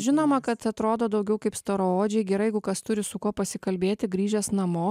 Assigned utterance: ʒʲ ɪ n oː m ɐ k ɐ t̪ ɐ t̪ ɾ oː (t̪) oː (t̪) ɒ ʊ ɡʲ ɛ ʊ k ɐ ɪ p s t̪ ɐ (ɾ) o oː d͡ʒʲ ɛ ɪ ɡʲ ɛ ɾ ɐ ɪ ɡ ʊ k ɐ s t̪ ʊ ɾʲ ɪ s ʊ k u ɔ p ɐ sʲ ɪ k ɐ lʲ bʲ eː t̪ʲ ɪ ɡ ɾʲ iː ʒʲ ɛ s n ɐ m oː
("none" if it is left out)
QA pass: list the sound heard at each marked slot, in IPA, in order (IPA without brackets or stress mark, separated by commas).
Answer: d̪, d̪, ɾ